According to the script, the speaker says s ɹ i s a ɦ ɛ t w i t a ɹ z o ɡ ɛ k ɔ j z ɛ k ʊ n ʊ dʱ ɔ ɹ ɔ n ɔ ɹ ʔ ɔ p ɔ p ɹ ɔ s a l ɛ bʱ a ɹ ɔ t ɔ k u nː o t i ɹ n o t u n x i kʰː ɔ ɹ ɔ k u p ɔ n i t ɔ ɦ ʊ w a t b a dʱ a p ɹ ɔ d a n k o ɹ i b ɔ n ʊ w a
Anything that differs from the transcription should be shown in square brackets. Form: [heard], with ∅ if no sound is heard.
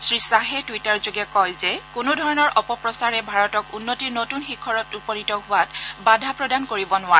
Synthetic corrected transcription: s ɹ i s a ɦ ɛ t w i t a ɹ z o ɡ ɛ k ɔ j z ɛ k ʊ n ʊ dʱ ɔ ɹ ɔ n ɔ ɹ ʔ ɔ p ɔ p ɹ ɔ s a [ɹ] ɛ bʱ a ɹ ɔ t ɔ k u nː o t i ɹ n o t u n x i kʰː ɔ ɹ ɔ [t] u p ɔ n i t ɔ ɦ ʊ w a t b a dʱ a p ɹ ɔ d a n k o ɹ i b ɔ n ʊ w a